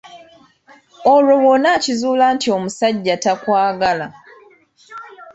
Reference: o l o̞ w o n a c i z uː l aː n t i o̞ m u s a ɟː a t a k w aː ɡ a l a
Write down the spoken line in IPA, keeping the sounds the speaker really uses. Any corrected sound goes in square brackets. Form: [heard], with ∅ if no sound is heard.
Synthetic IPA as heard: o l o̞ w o n a c i z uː l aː n t i o̞ m u s a ɟː a t a k w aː ɡ a l a